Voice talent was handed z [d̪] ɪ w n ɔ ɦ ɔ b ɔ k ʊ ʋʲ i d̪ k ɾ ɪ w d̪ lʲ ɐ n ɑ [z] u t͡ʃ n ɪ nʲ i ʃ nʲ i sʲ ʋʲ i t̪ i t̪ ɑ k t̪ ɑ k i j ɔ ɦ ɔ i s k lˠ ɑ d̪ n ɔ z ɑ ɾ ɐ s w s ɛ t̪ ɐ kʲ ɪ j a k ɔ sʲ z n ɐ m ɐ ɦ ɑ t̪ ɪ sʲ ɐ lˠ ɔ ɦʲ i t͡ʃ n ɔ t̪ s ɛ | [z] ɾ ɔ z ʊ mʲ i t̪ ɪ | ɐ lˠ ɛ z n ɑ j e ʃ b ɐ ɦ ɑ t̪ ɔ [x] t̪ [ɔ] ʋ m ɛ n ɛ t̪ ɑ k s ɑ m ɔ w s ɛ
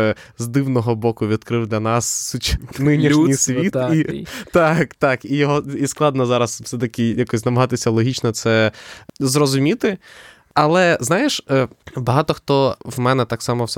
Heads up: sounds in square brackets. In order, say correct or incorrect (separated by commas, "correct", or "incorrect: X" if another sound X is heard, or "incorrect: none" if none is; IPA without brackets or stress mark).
correct, incorrect: s, correct, correct, correct